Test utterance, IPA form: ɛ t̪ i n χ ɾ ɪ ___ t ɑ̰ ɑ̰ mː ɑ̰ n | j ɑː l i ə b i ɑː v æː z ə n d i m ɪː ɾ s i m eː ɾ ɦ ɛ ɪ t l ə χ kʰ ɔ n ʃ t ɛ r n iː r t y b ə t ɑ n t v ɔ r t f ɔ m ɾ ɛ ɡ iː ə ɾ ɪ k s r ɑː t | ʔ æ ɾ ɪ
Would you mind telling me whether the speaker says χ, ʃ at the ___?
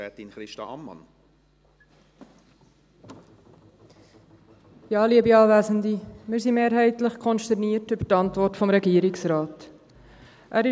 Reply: ʃ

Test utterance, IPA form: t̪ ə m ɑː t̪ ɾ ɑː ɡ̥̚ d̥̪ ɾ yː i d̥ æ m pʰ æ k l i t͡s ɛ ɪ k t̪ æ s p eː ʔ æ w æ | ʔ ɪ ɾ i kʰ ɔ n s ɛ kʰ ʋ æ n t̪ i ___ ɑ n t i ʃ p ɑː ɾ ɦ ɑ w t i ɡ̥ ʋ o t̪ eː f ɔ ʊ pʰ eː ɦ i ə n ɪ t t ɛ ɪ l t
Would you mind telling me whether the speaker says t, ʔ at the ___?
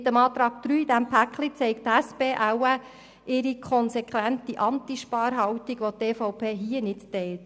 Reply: ʔ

